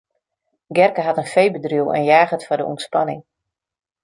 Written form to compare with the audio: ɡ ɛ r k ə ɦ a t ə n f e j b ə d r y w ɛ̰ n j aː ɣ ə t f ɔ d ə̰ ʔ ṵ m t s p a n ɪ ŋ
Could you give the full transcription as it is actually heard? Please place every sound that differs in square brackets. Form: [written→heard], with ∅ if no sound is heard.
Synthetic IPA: ɡ ɛ r k ə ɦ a t ə n f e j b ə d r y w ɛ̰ n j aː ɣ ə t f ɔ d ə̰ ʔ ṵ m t s p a n ɪ ŋ